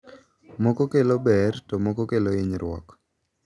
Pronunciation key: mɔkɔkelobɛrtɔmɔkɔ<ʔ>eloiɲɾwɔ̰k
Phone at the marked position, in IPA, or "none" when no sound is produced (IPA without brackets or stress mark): k